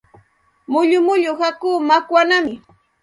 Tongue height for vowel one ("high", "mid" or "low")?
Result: high